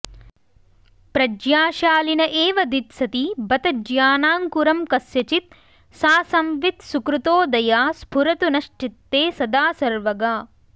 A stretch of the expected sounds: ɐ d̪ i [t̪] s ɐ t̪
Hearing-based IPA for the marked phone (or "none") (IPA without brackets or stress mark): t̪